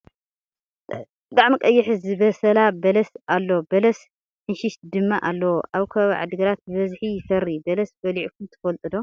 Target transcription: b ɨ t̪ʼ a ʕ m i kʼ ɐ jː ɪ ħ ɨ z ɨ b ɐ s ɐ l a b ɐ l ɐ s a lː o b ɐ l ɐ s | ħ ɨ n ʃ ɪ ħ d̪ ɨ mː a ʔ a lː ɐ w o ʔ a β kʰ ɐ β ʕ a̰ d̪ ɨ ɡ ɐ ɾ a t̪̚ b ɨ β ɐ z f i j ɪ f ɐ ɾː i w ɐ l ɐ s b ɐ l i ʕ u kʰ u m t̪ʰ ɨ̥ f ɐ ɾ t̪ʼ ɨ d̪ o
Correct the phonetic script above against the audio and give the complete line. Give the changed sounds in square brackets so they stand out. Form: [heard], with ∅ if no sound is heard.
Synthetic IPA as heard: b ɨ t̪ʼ a ʕ m i kʼ ɐ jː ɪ ħ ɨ z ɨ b ɐ s ɐ l a b ɐ l ɐ s a lː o b ɐ l ɐ s | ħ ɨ n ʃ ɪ [ʃ] d̪ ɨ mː a ʔ a lː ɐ w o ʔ a β kʰ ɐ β ʕ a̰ d̪ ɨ ɡ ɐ ɾ a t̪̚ b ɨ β ɐ z [ħ] i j ɪ f ɐ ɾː i [b] ɐ l ɐ s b ɐ l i ʕ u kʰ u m t̪ʰ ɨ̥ f ɐ [l] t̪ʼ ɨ d̪ o